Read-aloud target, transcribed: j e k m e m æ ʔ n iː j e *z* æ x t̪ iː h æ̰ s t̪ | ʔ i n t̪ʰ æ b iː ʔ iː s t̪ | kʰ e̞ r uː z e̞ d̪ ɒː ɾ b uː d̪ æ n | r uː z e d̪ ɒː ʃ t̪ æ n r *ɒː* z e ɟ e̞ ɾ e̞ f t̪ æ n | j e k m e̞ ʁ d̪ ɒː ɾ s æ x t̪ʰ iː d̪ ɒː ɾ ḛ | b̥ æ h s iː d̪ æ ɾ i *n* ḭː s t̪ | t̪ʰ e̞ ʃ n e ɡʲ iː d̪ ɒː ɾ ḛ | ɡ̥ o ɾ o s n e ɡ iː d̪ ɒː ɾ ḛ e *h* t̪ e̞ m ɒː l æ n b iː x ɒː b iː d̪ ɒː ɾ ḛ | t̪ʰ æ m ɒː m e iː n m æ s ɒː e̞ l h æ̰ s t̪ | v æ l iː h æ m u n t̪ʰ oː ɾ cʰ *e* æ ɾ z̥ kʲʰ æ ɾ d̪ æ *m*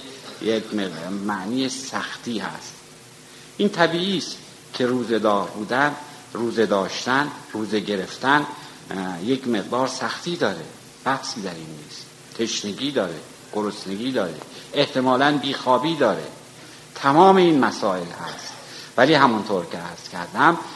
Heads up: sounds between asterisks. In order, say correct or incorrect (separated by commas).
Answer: incorrect, incorrect, incorrect, correct, correct, correct